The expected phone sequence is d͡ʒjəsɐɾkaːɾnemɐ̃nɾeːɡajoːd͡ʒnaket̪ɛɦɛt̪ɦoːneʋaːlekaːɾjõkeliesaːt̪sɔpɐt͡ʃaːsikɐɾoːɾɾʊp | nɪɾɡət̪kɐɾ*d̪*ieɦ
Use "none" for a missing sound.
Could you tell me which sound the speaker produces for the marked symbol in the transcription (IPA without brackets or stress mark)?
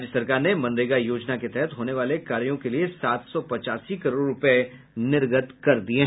d̪